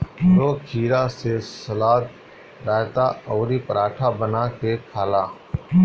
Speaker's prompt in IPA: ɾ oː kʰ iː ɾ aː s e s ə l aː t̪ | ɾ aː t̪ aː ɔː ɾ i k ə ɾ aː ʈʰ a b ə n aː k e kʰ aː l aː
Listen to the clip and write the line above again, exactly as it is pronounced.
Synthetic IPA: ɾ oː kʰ iː ɾ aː s e s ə l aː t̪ | ɾ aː t̪ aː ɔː ɾ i p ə ɾ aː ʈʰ a b ə n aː k e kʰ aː l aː